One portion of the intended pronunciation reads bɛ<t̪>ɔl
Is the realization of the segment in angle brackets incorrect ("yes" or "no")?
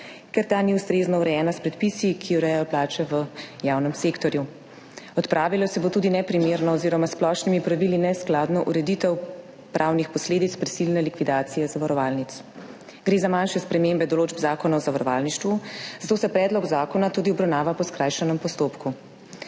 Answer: yes